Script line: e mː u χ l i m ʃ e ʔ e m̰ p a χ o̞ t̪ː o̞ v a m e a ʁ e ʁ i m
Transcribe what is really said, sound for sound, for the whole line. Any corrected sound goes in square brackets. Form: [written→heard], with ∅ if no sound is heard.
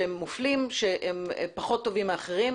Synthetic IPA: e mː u [χ→f] l i m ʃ e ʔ e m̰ p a χ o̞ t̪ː o̞ v [a→i] m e a [ʁ→χ] e ʁ i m

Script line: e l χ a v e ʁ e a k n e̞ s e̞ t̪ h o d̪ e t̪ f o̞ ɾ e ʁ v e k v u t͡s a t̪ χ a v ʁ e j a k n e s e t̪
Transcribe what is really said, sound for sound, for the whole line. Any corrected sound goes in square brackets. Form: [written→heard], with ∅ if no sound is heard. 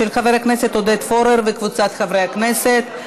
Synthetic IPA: e l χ a v e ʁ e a k n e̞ s e̞ t̪ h o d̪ e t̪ f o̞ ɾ e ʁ v e k v u t͡s a t̪ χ a v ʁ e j a k n e s e t̪

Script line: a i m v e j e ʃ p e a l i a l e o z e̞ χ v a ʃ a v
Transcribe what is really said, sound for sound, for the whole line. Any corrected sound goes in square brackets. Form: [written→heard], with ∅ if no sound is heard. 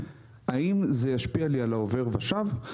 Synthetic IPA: a i m [v→z] e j [e→a] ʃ p [e→i] a l i a l [e→a] o [z→v] e̞ [χ→ʁ] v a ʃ a v

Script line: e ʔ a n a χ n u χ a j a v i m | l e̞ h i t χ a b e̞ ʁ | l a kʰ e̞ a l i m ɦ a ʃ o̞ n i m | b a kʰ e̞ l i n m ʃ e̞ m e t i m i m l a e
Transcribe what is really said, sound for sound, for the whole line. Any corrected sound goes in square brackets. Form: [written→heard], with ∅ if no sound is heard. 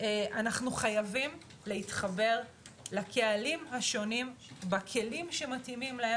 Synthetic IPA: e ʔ a n a χ n u χ a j a v i m | l e̞ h i t χ a b e̞ ʁ | l a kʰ e̞ a l i m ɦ a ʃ o̞ n i m | b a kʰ e̞ l i [n→∅] m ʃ e̞ m [e→a] t i m i m l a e

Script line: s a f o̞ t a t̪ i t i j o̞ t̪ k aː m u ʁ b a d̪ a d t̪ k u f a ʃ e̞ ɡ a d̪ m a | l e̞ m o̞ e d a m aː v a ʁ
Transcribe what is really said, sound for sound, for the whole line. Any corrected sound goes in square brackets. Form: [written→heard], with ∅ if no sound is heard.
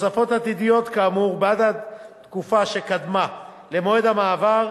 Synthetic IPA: s a f o̞ t a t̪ i [t→d] i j o̞ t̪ k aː m u ʁ b a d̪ a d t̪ k u f a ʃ e̞ [ɡ→k] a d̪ m a | l e̞ m o̞ e d a m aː v a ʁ

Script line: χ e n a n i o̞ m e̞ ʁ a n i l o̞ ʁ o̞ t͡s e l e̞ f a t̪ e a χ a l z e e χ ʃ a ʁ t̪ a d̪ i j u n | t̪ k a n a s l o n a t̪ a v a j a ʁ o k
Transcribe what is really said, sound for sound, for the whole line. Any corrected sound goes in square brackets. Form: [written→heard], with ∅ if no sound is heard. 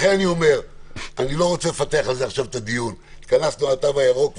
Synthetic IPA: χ e n a n i o̞ m e̞ ʁ a n i l o̞ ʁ o̞ t͡s e l e̞ f a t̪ e a χ a l z e [e→a] χ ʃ a [ʁ→v] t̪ a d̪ i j u n | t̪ k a n a s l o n a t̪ a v a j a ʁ o k

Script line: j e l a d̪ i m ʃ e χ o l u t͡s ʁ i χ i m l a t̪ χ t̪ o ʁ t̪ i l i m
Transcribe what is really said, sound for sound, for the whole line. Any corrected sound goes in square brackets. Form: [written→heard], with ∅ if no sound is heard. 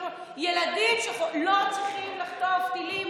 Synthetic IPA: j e l a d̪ i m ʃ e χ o l [u→o] t͡s ʁ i χ i m l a [t̪→∅] χ t̪ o [ʁ→v] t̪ i l i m

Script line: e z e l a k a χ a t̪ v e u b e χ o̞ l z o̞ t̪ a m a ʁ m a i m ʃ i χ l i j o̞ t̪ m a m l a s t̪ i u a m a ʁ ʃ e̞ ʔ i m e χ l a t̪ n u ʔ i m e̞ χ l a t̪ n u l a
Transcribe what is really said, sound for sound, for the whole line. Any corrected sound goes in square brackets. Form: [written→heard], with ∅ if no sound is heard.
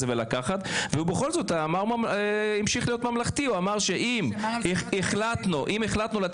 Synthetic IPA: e [z→v] e l a k a χ a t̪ v e u b e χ o̞ l z o̞ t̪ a m a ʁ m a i m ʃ i χ l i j o̞ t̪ m a m l a [s→χ] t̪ i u a m a ʁ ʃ e̞ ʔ i m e χ l a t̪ n u ʔ i m e̞ χ l a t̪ n u l a

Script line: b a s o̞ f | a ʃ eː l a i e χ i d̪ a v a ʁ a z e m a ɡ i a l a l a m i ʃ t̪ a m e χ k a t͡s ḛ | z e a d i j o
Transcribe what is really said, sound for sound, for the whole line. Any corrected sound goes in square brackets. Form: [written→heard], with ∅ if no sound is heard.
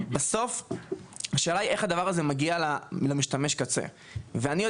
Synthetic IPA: b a s o̞ f | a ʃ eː l a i e χ [i→a] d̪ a v a ʁ a z e m a ɡ i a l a l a m i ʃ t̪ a m e [χ→ʃ] k a t͡s ḛ | [z→v] e a [d→n] i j o

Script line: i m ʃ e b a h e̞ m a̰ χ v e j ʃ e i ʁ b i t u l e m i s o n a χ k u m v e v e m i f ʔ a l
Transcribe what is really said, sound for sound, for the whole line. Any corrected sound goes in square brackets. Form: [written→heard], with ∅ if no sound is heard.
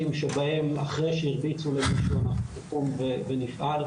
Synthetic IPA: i m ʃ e b a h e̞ m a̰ χ [v→ʁ] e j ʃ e i ʁ b i [t→t͡s] u l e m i [s→ʃ] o n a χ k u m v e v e [m→n] i f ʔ a l

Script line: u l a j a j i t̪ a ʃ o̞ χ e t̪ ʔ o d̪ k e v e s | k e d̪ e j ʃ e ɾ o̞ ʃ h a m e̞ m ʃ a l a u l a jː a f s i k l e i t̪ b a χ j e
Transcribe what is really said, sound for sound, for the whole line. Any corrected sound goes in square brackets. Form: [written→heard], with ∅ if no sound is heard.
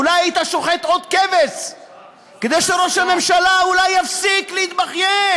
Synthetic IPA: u l a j a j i t̪ a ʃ o̞ χ e t̪ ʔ o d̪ k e v e s | k e d̪ e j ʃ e ɾ o̞ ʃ h a m e̞ m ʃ a l a u l a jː a f s i k l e i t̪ b a χ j e

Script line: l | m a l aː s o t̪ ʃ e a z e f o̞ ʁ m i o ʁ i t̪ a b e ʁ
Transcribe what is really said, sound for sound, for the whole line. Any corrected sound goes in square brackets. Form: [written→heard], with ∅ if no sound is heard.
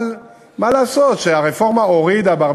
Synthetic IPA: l | m a l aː s o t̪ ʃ e a [z→ʁ] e f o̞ ʁ m [i→a] o ʁ i [t̪→d̪] a b [e→a] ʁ

